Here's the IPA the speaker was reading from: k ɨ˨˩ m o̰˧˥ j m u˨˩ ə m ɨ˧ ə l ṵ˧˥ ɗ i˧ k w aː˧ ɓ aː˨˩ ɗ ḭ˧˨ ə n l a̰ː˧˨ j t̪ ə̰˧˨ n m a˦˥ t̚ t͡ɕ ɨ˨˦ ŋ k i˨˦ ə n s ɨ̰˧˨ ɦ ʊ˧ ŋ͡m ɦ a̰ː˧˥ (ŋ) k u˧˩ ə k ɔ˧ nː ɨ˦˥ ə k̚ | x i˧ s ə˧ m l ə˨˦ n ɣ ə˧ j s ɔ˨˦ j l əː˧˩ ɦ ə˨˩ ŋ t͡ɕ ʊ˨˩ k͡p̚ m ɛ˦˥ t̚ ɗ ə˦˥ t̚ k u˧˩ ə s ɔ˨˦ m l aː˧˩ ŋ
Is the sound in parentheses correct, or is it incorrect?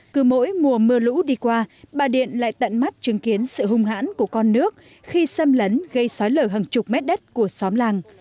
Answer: incorrect